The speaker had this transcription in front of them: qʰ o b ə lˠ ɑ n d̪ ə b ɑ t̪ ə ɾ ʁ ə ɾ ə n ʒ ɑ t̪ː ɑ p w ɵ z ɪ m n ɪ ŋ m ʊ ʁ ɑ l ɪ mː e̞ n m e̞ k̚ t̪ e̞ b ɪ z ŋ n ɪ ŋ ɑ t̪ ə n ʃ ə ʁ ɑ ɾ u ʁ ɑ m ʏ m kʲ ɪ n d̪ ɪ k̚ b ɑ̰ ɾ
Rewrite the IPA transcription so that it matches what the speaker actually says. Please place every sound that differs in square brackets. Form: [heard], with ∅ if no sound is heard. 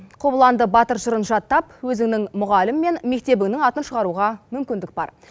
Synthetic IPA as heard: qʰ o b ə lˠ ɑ n d̪ ə b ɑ t̪ ə ɾ [ʒ] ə ɾ ə n ʒ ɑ t̪ː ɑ p w ɵ z ɪ [ŋ] n ɪ ŋ m ʊ ʁ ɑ l ɪ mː e̞ n m e̞ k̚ t̪ e̞ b ɪ [∅] ŋ n ɪ ŋ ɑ t̪ ə n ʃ ə ʁ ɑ ɾ u ʁ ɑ m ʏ m kʲ ɪ n d̪ ɪ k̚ b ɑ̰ ɾ